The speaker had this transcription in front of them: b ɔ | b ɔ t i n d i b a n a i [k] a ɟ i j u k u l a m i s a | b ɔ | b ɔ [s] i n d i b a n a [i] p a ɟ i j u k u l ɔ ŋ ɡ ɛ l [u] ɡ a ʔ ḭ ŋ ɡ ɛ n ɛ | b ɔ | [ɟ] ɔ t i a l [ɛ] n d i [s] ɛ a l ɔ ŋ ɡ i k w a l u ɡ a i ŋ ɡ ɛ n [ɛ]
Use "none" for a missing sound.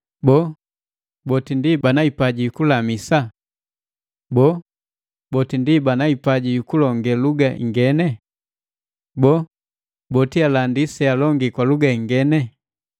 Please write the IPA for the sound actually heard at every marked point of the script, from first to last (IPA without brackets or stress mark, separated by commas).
p, t, i, u, b, a, s, ɛ